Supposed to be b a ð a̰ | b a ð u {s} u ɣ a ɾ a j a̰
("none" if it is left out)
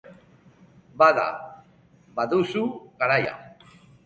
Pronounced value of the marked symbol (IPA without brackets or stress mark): s